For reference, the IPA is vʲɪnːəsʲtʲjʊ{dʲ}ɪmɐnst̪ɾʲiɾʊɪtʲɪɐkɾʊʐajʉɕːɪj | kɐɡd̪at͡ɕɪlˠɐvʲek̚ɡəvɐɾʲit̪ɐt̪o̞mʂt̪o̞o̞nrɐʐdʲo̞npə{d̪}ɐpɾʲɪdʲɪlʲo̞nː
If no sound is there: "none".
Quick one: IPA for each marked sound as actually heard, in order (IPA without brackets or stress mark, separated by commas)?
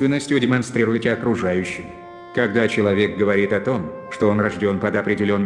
dʲ, d̪